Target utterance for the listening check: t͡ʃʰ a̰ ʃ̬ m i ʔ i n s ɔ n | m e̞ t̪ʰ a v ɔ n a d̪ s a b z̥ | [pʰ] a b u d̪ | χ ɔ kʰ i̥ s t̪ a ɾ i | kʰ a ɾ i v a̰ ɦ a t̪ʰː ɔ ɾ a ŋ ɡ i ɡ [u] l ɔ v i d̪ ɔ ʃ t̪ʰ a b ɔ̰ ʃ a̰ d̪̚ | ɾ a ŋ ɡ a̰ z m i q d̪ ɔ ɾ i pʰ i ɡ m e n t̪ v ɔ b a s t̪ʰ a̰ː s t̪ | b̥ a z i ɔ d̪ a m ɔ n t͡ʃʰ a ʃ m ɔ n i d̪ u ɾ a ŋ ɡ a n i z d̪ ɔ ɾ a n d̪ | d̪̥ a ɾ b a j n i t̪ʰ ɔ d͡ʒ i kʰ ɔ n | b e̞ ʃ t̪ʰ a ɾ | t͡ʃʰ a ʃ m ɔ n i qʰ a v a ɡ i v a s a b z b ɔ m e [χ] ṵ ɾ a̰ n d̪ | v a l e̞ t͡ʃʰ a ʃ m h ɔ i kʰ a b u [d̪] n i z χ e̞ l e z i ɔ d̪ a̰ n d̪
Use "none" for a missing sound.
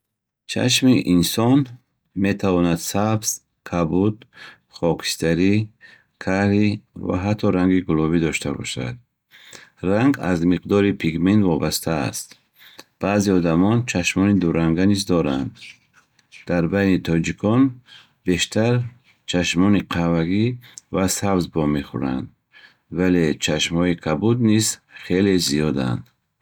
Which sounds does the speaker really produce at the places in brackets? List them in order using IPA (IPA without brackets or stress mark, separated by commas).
kʰ, u, χ, d̪